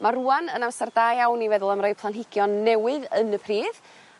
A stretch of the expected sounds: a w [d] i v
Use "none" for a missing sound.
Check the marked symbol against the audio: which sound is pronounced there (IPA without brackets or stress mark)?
n